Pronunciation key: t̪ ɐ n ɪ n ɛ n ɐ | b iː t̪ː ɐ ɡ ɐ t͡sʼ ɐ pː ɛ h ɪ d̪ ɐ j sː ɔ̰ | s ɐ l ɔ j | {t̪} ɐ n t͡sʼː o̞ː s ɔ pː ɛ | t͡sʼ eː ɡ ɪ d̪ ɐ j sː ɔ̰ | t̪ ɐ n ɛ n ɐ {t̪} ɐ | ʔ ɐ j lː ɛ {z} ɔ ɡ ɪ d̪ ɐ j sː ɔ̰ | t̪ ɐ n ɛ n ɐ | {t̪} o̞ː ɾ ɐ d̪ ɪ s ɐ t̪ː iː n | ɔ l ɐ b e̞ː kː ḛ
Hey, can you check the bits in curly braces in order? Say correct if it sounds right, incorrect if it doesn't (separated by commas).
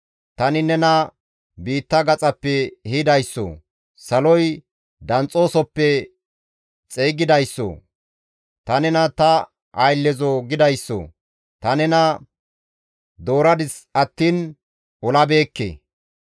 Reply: incorrect, correct, correct, incorrect